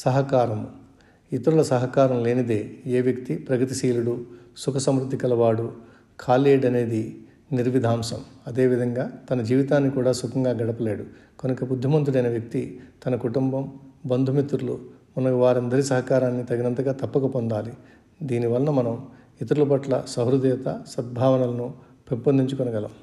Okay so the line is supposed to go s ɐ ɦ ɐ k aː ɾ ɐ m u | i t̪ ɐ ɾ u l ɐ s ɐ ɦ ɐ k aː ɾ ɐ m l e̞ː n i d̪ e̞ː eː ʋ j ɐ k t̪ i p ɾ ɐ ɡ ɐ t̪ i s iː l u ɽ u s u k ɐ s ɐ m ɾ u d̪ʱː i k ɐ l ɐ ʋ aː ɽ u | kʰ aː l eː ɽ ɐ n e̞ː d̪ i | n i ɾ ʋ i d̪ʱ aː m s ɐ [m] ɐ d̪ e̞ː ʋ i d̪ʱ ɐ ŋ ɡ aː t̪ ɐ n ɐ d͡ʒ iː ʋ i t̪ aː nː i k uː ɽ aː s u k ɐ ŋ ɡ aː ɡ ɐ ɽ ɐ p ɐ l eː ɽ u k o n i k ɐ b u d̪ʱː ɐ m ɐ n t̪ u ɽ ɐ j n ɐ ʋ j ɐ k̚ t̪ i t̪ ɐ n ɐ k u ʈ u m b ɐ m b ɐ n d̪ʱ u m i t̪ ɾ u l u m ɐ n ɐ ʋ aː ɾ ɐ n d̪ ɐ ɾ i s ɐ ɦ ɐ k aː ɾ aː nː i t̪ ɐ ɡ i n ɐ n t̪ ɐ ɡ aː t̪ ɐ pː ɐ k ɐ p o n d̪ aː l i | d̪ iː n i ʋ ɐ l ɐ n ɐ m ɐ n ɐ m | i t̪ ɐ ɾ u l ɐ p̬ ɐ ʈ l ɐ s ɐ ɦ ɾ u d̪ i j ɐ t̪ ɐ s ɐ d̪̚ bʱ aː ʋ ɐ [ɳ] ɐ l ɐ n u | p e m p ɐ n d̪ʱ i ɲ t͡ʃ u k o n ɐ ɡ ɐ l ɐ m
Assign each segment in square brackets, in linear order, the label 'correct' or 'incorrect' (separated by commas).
correct, incorrect